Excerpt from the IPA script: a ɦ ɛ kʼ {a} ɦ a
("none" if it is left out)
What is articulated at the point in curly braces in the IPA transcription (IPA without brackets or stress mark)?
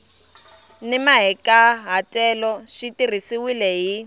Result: a